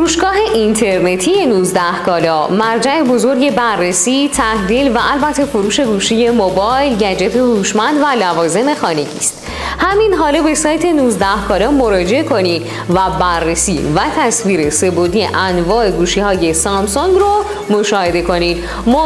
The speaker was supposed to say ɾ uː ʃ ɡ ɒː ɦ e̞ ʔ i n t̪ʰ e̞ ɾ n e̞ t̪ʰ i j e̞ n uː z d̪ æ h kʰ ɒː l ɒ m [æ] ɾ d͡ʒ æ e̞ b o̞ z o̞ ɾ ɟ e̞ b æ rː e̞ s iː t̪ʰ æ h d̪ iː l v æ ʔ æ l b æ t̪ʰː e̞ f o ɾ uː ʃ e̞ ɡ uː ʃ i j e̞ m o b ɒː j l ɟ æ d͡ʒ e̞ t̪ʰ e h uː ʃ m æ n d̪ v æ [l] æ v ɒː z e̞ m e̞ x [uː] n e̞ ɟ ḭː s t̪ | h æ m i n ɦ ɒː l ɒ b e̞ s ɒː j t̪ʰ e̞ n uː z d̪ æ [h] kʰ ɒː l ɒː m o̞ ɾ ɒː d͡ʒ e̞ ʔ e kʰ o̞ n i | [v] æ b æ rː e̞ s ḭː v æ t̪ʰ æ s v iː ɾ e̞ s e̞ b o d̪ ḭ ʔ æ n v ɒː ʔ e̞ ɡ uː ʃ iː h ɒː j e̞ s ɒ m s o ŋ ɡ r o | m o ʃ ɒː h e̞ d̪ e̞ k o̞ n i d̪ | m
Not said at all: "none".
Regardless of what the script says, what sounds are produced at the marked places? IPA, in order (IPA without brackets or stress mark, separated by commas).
æ, l, ɒː, h, v